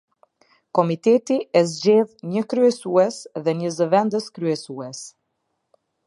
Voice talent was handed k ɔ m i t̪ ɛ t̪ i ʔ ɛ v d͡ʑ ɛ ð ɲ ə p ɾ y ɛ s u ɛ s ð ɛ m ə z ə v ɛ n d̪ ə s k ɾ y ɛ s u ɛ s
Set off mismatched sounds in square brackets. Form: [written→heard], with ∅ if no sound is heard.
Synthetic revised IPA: k ɔ m i t̪ ɛ t̪ i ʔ ɛ [v→z] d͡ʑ ɛ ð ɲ ə [p→k] ɾ y ɛ s u ɛ s ð ɛ [m→ɲ] ə z ə v ɛ n d̪ ə s k ɾ y ɛ s u ɛ s